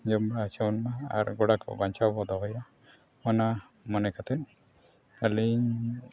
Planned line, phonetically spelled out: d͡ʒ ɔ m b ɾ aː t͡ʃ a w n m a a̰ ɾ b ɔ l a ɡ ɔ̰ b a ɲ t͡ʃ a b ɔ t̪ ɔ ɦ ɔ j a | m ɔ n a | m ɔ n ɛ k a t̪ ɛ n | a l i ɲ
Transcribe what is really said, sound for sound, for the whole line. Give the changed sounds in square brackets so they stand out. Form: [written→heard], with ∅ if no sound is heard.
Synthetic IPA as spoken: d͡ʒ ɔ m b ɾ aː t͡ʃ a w n m a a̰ ɾ [b→ɡ] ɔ [l→ɽ] a [ɡ→k] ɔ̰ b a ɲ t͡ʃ a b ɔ [t̪→d̪] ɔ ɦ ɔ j a | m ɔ n a | m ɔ n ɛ k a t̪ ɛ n | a l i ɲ